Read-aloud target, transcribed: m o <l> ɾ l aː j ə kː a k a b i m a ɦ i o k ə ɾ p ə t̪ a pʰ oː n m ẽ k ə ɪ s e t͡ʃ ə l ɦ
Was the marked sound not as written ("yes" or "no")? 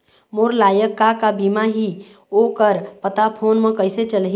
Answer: yes